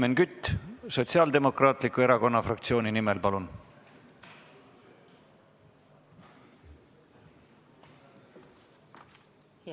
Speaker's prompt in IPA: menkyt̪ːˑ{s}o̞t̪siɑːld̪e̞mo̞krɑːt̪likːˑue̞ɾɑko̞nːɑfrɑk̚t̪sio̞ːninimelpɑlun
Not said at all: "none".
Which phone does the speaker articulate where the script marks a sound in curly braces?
s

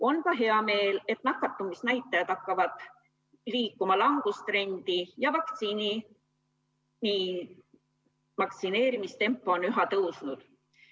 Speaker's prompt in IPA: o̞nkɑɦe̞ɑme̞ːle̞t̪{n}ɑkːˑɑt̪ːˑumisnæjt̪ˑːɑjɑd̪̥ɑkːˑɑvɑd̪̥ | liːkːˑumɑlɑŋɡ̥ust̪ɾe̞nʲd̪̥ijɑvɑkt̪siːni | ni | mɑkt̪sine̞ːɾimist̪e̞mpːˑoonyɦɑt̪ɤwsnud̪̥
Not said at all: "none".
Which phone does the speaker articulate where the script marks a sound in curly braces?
n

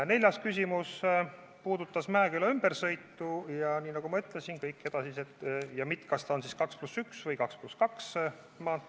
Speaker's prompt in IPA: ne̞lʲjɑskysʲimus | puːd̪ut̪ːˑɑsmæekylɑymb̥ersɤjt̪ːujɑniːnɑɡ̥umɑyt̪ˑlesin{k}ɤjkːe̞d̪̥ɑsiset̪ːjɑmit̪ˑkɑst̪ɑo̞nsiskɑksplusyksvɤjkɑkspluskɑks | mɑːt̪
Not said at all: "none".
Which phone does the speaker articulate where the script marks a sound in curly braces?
k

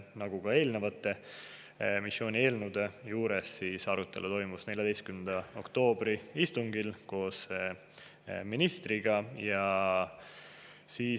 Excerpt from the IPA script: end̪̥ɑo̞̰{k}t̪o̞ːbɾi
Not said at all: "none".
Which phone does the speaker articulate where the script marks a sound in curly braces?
k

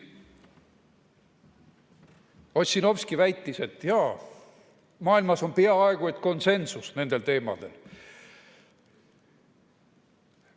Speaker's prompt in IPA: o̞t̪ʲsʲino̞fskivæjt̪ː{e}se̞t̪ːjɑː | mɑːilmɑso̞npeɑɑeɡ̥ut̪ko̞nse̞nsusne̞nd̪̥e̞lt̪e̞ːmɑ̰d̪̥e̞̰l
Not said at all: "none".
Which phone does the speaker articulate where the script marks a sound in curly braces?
i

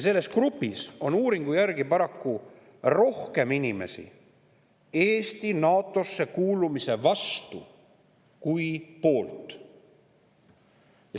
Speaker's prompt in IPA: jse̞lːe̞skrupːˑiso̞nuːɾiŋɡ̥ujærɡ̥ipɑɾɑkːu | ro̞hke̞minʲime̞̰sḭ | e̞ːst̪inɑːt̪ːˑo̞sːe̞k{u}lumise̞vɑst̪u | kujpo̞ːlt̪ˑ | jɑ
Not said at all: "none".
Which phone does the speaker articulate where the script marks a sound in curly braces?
uː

